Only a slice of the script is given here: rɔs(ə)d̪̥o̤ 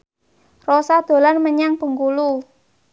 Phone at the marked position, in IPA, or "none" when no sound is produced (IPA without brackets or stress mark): a